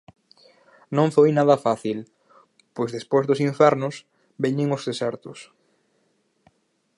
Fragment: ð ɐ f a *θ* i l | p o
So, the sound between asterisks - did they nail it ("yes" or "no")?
yes